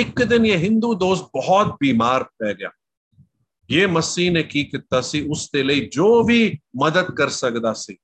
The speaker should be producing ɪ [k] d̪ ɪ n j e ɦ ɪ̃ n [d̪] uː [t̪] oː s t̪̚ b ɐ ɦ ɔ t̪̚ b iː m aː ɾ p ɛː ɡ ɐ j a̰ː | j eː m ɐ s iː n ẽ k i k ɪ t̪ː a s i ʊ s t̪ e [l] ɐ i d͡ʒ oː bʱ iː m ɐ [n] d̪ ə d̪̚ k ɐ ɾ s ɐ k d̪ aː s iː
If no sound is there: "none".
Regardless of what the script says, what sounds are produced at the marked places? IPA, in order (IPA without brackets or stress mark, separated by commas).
k, d̪, d̪, l, none